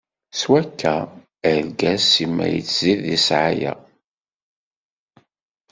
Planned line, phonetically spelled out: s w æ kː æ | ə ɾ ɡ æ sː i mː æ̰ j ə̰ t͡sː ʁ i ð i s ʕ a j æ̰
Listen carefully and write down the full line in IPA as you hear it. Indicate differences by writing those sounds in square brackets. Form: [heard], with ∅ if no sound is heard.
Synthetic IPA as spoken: s w æ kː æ | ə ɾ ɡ æ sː i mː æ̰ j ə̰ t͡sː [z] i ð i s ʕ a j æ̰